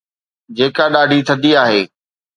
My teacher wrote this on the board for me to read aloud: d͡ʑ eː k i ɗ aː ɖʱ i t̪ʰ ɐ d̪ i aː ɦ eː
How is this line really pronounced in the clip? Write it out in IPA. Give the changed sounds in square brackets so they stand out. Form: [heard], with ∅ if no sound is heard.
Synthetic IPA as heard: d͡ʑ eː k [a] ɗ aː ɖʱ i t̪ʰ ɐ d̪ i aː ɦ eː